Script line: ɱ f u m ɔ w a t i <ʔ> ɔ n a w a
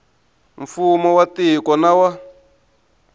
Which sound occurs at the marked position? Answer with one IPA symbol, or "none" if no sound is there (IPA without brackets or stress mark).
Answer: k